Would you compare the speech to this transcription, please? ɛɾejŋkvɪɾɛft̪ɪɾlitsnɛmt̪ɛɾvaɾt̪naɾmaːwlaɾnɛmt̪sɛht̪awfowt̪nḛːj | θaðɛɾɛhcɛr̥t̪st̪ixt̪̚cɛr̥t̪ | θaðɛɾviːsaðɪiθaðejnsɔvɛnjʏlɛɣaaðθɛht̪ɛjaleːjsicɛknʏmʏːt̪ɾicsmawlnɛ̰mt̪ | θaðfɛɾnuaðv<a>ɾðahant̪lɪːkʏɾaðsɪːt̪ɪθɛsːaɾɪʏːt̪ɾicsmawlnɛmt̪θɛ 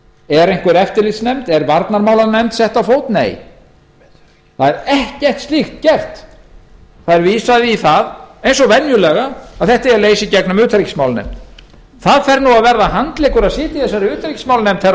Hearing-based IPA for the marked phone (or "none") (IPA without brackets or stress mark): ɛ